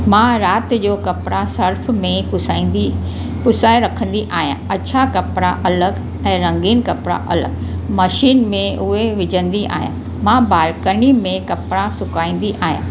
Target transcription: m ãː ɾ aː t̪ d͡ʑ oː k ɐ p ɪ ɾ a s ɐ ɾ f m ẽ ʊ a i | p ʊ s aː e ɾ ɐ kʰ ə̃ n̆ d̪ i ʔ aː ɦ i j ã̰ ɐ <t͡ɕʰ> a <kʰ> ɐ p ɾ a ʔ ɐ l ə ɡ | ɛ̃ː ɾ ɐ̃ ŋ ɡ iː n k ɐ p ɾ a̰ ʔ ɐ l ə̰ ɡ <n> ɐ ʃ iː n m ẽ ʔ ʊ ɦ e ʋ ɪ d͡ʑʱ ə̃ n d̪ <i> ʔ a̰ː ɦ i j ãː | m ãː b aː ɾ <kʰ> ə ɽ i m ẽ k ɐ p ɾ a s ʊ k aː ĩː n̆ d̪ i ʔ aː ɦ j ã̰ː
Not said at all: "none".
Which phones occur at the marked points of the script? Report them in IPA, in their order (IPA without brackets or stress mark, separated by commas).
t͡ɕʰ, k, m, i, k